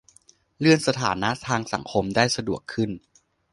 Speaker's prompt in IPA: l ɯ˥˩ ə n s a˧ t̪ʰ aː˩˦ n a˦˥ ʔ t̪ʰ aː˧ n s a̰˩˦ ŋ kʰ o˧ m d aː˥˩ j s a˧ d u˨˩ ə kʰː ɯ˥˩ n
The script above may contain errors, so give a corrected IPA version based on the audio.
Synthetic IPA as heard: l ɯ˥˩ ə n s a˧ t̪ʰ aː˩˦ n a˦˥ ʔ t̪ʰ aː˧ ŋ s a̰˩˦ ŋ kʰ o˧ m d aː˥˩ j s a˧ d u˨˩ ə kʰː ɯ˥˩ n